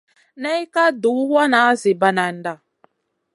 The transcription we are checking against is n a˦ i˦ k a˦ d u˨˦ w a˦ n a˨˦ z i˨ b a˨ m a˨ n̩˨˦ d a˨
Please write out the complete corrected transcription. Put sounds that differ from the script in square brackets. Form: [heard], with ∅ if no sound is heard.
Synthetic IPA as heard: n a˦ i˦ k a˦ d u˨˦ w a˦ n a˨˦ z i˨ b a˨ [n] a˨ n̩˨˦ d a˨